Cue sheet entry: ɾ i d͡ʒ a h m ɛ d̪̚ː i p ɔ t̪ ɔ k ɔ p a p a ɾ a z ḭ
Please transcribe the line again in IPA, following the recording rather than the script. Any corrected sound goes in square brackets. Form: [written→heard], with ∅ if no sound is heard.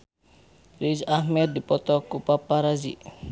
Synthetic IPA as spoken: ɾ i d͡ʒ a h m ɛ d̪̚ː i p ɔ t̪ ɔ k [ɔ→u] p a p a ɾ a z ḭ